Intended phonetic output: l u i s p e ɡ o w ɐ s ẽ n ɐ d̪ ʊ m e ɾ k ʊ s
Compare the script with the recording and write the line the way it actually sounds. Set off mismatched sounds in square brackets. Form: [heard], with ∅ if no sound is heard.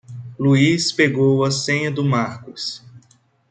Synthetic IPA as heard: l u i s p e ɡ o w ɐ s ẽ [ɲ] ɐ d̪ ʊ m [a] ɾ k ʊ s